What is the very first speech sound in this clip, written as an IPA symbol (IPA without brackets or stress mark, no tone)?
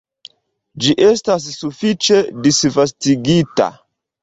d͡ʒ